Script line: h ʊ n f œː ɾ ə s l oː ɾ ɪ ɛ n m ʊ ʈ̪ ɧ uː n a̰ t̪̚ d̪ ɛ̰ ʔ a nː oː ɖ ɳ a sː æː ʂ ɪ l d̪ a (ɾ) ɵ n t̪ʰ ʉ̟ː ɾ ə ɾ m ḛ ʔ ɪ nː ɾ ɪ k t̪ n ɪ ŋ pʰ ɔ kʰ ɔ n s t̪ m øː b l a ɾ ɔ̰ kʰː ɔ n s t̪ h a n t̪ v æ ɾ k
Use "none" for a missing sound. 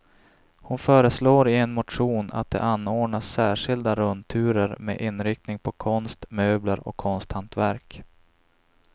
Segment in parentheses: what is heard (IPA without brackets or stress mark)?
ɾ